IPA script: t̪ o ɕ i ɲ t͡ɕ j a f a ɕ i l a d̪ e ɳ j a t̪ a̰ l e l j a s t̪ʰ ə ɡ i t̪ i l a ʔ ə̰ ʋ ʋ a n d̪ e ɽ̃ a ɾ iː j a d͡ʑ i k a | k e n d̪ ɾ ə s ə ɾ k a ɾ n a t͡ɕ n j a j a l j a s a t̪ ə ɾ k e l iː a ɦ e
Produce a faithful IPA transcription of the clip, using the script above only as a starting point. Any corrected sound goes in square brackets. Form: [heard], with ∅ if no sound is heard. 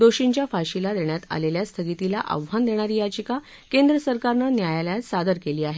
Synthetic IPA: [d̪] o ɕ i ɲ t͡ɕ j a f a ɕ i l a d̪ e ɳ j a t̪ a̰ l e l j a s t̪ʰ ə ɡ i t̪ i l a ʔ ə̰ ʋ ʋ a n d̪ e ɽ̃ a ɾ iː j a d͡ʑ i k a | k e n d̪ ɾ ə s ə ɾ k a ɾ n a [∅] n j a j a l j a s a [d̪] ə ɾ k e l iː a ɦ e

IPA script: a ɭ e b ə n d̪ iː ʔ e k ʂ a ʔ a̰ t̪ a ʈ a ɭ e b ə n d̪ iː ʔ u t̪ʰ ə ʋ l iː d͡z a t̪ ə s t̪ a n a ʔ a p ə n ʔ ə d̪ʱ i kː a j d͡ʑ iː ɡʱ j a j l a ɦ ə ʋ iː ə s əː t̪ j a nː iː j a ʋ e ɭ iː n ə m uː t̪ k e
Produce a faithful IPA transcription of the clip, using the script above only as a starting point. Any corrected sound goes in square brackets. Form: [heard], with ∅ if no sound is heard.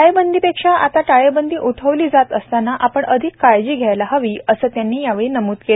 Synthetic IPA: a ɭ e b ə n d̪ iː [p] e k ʂ a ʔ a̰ t̪ a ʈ a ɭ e b ə n d̪ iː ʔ u t̪ʰ ə ʋ l iː d͡z a t̪ ə s t̪ a n a ʔ a p ə [ɳ] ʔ ə d̪ʱ i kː a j d͡ʑ iː ɡʱ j a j l a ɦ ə ʋ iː ə s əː t̪ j a nː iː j a ʋ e ɭ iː n ə m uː t̪ k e

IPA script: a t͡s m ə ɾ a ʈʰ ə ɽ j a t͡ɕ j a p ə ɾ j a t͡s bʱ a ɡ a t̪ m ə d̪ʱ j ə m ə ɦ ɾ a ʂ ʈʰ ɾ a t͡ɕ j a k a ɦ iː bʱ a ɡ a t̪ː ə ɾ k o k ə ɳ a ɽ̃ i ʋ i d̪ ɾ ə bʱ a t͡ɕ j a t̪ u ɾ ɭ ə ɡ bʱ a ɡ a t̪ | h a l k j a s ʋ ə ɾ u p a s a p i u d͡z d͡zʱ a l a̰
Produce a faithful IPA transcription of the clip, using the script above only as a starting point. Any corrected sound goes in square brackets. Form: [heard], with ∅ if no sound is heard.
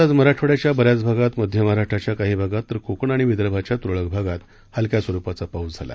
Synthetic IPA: a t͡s m ə ɾ a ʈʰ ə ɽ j a t͡ɕ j a [b] ə ɾ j a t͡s bʱ a ɡ a t̪ m ə d̪ʱ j ə m ə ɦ ɾ a ʂ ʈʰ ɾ a t͡ɕ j a k a ɦ iː bʱ a ɡ a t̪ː ə ɾ k o k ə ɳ a ɽ̃ i ʋ i d̪ ɾ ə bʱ a t͡ɕ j a t̪ u ɾ ɭ ə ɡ bʱ a ɡ a t̪ | h a l k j a s ʋ ə ɾ u p a [t͡s] a p [a] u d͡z d͡zʱ a l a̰

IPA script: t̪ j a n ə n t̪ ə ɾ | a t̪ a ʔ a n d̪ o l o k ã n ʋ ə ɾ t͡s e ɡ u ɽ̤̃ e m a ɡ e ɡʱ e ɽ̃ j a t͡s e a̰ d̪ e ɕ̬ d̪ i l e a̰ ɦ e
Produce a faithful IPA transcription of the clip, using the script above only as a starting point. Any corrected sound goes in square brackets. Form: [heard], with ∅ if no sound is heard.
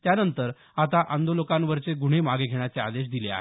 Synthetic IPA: t̪ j a n ə n t̪ ə ɾ | a t̪ a ʔ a n d̪ o l o k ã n ʋ ə ɾ t͡s e ɡ u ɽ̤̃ e m a ɡ e ɡʱ e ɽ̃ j a t͡s e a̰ d̪ e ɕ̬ d̪ i l e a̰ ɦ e

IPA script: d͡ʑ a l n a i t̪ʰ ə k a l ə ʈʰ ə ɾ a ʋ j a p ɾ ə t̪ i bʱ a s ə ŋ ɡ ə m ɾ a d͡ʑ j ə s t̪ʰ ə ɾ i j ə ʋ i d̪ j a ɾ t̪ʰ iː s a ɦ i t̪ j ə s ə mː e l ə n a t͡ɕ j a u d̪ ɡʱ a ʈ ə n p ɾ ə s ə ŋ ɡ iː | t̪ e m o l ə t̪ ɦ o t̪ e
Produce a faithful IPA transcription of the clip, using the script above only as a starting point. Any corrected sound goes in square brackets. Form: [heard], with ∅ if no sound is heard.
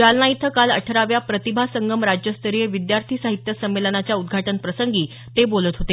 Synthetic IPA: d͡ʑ a l n a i t̪ʰ ə k a l ə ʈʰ ə ɾ a ʋ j a p ɾ ə t̪ i bʱ a s ə ŋ ɡ ə m ɾ a d͡ʑ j ə s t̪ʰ ə ɾ i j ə ʋ i d̪ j a ɾ t̪ʰ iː s a ɦ i t̪ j ə s ə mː e l ə n a t͡ɕ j a u d̪ ɡʱ a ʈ ə n p ɾ ə s ə ŋ ɡ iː | t̪ e [b] o l ə t̪ ɦ o t̪ e

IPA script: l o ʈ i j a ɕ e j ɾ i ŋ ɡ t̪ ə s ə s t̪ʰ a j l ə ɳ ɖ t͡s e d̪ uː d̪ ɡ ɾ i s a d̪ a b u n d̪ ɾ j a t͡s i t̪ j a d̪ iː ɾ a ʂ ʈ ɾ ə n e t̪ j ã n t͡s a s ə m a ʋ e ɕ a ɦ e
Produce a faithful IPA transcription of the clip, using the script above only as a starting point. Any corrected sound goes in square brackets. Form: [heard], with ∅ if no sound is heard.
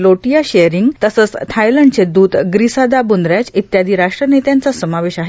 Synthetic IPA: l o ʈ i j a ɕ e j ɾ i ŋ ɡ t̪ ə s ə [t͡s] t̪ʰ a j l ə ɳ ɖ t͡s e d̪ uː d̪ ɡ ɾ i s a d̪ a b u n d̪ ɾ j a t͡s i t̪ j a d̪ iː ɾ a ʂ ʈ ɾ ə n e t̪ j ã n t͡s a s ə m a ʋ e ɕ a ɦ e

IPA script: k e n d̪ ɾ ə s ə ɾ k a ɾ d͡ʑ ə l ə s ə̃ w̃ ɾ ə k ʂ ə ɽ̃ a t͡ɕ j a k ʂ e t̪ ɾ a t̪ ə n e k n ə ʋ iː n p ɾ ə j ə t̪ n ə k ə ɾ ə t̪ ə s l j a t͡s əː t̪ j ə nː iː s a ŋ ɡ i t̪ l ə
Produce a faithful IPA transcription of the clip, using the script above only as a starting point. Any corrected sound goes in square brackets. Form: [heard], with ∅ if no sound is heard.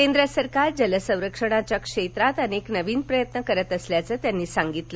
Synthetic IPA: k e n d̪ ɾ ə s ə ɾ k a ɾ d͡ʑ ə l ə s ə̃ w̃ ɾ ə k ʂ ə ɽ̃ a t͡ɕ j a k ʂ e t̪ ɾ a t̪ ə n e k n ə ʋ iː n p ɾ ə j ə t̪ n ə k ə ɾ ə t̪ ə s l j a t͡s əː t̪ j [a] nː iː s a ŋ ɡ i t̪ l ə

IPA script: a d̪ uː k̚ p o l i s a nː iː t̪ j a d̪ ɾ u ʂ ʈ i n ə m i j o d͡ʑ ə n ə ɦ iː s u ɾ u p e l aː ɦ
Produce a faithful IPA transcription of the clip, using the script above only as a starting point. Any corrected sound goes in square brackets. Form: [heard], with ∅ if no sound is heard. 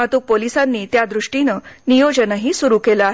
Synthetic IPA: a [t̪] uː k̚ p o l i s a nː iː t̪ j a d̪ ɾ u ʂ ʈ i n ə [n] i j o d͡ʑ ə n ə ɦ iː s u ɾ u [k] e l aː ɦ

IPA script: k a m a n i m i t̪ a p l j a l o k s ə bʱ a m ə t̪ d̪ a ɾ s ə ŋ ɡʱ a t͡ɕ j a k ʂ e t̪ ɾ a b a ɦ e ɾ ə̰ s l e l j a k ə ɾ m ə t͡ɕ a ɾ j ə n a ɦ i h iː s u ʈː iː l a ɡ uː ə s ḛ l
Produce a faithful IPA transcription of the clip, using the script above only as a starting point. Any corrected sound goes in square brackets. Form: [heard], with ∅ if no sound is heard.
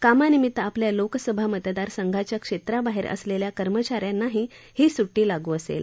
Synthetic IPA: k a m a n i m i t̪ a p l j a l o k s ə bʱ a m ə t̪ d̪ a ɾ s ə ŋ ɡʱ a t͡ɕ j a k ʂ e t̪ ɾ a b a ɦ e ɾ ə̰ s l e l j a k ə ɾ m ə t͡ɕ a ɾ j [a] n a ɦ i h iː s u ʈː iː l a ɡ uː ə s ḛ l

